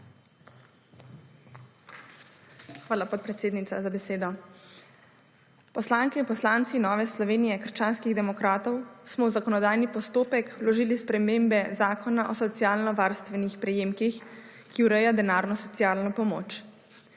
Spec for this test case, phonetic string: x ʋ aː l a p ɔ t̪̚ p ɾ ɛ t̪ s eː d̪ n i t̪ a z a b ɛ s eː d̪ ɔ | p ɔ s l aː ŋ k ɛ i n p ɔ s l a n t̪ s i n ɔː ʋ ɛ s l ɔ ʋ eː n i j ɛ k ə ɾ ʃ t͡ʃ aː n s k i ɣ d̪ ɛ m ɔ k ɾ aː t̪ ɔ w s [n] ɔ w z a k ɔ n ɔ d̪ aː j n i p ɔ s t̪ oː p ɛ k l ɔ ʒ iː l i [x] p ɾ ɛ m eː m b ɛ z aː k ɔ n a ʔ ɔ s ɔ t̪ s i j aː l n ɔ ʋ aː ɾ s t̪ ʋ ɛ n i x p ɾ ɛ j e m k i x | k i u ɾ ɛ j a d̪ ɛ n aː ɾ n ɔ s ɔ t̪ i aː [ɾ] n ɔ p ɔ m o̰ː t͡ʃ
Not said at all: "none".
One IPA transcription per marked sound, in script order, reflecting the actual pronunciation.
m, s, l

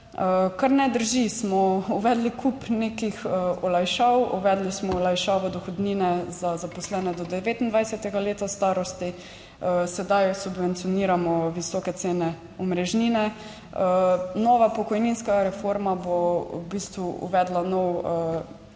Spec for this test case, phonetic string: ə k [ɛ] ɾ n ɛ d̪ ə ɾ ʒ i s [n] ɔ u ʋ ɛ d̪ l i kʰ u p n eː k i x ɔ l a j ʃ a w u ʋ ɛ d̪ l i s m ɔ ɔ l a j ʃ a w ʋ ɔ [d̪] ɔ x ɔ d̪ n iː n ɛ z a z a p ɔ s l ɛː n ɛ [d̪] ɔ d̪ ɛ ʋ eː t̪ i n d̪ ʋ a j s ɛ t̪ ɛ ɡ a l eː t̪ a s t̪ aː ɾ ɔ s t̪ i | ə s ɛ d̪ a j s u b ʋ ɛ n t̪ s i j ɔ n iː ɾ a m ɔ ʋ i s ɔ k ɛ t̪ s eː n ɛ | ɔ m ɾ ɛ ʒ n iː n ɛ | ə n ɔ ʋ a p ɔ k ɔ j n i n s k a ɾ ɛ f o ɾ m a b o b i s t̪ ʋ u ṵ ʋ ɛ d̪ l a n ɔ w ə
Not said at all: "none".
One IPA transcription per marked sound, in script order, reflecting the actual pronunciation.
a, m, d̪, d̪

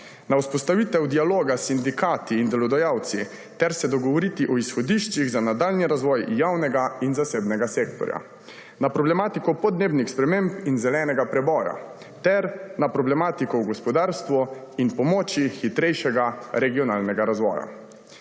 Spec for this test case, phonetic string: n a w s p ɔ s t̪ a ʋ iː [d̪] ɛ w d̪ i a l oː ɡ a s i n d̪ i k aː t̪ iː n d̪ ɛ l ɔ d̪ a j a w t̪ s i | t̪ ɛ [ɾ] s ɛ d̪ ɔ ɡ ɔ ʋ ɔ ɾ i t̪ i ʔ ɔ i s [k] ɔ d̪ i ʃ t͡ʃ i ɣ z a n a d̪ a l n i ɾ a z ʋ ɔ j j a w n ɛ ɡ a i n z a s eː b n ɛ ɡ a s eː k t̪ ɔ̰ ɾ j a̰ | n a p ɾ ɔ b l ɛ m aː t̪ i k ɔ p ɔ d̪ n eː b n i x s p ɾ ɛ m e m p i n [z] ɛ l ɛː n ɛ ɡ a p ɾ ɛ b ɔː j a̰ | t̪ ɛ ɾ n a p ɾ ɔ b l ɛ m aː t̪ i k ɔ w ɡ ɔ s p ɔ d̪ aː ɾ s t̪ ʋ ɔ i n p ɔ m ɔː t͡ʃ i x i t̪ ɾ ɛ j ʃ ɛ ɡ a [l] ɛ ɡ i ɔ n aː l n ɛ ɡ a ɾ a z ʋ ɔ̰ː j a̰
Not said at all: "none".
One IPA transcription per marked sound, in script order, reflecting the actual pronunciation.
t̪, ɾ, x, z, ɾ

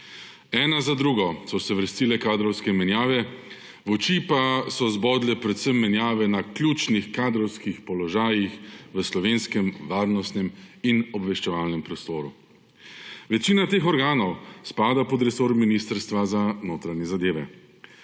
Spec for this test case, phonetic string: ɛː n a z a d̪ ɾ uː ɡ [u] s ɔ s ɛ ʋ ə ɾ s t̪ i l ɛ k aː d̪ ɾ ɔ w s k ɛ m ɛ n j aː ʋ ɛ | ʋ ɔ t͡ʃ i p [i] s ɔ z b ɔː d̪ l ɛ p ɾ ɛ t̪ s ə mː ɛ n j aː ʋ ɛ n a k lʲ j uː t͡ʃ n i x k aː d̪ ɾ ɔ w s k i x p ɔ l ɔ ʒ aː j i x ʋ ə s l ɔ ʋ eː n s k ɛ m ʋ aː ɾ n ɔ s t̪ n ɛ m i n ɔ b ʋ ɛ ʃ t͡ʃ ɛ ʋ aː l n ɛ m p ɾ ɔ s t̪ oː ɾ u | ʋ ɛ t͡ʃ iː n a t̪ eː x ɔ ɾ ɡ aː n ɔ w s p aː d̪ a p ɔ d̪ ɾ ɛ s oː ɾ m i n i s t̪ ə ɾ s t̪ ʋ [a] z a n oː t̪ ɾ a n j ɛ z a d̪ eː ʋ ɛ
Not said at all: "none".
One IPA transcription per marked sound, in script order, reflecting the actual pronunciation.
ɔ, a, a

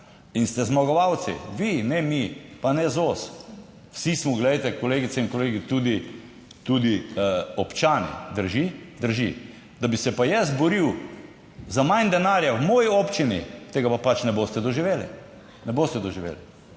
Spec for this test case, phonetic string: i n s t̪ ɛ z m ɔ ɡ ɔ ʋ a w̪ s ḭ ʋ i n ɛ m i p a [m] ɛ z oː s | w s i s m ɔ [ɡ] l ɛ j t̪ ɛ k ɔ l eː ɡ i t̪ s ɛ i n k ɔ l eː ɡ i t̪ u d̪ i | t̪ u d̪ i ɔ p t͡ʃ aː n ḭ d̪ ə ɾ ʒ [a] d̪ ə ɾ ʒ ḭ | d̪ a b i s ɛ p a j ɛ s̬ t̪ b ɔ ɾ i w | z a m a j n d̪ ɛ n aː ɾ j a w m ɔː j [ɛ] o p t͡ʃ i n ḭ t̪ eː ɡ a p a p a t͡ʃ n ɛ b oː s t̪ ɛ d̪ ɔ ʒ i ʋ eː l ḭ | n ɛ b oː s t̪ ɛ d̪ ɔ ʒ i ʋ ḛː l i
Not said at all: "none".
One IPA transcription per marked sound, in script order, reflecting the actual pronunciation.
n, ɡ, i, i

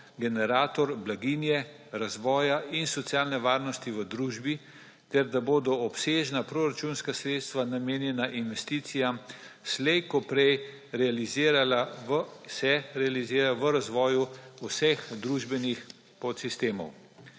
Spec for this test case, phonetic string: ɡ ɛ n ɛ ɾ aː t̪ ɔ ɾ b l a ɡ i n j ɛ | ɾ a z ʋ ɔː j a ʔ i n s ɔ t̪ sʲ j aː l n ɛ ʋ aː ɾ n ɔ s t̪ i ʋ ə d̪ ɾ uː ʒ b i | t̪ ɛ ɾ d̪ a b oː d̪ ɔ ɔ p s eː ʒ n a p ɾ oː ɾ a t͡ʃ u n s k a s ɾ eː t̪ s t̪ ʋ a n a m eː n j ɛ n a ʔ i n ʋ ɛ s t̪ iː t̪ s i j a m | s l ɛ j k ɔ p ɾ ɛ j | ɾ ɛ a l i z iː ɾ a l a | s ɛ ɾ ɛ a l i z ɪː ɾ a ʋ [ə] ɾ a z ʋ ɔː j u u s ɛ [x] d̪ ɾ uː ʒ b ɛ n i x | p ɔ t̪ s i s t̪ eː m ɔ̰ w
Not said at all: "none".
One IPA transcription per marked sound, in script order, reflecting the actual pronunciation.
ə, x

